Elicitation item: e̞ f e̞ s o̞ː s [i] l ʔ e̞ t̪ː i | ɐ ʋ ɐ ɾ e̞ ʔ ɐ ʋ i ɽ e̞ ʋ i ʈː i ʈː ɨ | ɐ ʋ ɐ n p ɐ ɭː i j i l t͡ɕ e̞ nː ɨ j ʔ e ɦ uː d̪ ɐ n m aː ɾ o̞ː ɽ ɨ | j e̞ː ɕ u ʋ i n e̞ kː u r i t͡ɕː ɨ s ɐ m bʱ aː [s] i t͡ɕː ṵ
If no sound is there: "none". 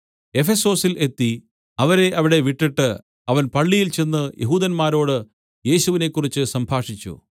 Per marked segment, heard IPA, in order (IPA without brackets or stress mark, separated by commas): i, ʂ